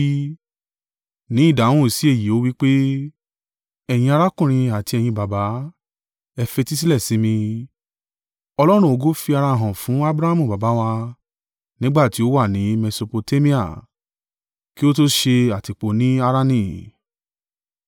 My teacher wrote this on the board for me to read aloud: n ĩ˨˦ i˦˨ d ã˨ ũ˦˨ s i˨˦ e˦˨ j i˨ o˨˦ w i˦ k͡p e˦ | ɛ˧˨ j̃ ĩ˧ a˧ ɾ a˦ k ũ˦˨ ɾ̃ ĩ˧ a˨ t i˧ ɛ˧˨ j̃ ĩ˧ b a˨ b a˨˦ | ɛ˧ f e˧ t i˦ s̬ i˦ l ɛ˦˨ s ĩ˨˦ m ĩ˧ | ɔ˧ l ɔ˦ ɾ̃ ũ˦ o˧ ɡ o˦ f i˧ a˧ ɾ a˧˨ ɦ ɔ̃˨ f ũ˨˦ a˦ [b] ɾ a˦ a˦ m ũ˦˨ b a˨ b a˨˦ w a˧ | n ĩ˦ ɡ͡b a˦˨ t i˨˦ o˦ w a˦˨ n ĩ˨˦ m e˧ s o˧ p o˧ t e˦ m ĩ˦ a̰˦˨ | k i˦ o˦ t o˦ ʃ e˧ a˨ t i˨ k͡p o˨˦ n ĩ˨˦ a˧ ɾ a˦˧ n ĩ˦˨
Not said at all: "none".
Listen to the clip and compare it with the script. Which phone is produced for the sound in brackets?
b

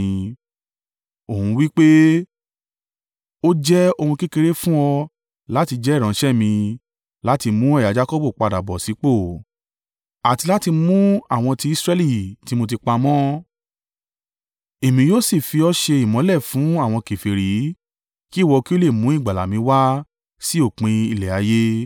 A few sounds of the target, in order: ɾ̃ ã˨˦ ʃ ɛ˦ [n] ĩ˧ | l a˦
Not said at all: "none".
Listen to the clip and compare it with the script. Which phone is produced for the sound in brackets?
m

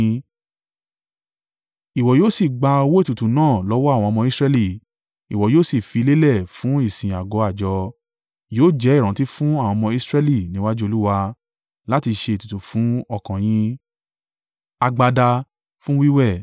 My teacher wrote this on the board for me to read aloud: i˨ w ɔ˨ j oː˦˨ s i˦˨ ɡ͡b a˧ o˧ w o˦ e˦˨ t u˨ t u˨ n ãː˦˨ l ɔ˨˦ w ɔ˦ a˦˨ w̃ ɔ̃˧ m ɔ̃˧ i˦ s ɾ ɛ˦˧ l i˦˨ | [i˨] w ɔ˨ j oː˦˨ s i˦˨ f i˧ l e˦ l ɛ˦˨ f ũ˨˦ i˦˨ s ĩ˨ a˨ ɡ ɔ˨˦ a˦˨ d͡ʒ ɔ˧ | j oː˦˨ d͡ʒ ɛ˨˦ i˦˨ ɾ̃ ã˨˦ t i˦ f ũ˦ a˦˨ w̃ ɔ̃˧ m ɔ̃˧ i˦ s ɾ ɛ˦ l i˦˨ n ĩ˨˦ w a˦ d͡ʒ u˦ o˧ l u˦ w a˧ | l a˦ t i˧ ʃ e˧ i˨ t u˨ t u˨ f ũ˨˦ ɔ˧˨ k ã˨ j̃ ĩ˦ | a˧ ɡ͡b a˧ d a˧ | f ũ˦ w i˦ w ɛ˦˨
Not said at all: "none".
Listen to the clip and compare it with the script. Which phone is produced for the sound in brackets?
i˨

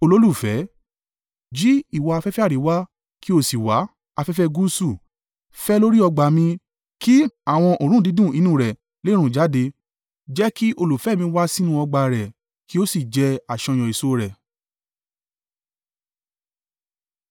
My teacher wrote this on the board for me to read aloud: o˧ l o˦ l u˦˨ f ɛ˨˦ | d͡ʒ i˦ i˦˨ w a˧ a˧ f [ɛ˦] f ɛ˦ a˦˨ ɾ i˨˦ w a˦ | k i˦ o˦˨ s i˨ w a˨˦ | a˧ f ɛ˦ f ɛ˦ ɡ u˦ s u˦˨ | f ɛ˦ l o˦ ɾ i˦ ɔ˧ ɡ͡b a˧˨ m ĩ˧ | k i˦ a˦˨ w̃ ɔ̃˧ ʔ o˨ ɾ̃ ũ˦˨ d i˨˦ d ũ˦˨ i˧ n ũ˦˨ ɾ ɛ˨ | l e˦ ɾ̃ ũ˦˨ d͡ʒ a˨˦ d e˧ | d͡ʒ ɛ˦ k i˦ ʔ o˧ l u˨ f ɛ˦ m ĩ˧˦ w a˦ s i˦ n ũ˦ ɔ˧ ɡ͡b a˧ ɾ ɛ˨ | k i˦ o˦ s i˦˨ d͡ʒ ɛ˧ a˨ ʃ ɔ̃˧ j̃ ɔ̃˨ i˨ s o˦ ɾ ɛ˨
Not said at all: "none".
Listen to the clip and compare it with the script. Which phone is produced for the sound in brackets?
ɛ˦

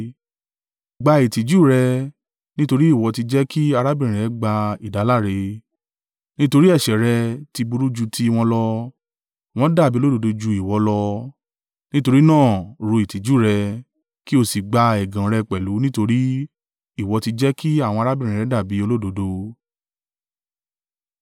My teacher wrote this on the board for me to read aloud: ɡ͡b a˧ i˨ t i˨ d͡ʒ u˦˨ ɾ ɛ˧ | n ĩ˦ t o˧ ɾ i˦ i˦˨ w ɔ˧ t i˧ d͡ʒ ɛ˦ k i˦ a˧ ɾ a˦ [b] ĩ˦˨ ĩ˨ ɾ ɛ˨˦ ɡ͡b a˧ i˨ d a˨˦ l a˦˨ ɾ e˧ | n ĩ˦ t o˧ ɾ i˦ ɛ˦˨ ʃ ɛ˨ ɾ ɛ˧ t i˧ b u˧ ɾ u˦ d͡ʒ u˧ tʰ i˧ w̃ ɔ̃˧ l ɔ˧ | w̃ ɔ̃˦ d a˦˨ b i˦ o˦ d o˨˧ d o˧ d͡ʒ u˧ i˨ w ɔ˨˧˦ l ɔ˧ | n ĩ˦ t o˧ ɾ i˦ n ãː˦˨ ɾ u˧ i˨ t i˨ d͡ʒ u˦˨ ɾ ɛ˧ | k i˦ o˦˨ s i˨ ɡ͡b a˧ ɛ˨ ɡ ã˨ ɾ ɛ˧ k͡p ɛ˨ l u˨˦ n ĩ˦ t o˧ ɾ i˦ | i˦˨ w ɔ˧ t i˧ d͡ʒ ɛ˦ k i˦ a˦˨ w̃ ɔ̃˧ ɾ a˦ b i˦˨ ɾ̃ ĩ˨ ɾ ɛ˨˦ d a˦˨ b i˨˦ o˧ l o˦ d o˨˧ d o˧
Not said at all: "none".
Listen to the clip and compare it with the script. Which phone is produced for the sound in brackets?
b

